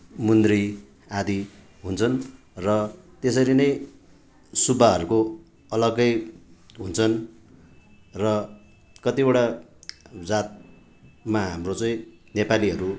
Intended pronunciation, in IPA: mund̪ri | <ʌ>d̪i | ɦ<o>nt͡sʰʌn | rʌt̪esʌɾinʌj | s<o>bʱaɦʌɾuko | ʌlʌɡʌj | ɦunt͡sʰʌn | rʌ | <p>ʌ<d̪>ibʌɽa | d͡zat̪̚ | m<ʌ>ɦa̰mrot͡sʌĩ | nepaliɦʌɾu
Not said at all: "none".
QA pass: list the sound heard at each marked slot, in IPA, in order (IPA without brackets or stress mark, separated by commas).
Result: a, u, u, k, t̪, a